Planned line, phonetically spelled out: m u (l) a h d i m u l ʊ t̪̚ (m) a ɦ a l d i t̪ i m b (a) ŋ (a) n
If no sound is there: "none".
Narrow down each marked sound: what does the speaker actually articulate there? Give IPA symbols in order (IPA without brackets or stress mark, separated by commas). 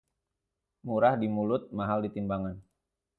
ɾ, m, a, a